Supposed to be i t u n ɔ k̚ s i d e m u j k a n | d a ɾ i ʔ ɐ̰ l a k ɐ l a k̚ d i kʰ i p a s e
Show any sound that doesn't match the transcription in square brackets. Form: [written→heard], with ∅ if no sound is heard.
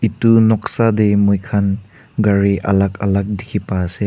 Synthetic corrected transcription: i t u n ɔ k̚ s [i→a] d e m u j [k→kʰ] a n | [d→ɡ] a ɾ i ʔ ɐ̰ l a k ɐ l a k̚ d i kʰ i p a s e